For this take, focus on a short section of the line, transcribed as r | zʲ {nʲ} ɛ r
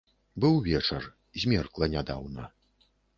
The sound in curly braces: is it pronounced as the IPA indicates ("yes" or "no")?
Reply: no